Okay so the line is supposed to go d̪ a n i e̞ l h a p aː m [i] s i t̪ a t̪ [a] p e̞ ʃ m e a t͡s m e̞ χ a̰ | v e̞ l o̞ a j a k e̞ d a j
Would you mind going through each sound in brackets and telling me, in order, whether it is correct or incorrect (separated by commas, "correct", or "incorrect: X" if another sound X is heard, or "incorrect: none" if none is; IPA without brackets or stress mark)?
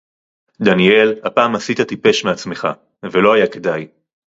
incorrect: a, incorrect: i